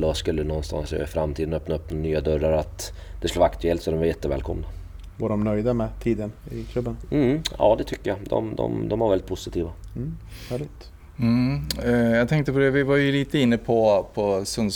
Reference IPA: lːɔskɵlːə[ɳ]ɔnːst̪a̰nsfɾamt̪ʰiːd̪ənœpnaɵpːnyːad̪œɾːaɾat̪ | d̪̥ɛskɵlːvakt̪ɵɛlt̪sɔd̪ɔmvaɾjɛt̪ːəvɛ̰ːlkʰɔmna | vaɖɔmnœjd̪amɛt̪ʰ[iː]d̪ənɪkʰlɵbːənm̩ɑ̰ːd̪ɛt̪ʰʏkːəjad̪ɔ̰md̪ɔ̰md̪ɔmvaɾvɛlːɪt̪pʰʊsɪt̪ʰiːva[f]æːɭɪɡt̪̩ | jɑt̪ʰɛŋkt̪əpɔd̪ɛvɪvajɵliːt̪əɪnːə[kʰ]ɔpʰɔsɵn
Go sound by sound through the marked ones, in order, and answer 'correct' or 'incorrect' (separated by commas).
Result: incorrect, correct, incorrect, incorrect